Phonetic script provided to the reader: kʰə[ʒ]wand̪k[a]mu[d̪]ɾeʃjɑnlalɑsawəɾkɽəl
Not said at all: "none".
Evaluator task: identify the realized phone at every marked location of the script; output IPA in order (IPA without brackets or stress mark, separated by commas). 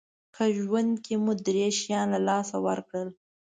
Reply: ʒ, e, d̪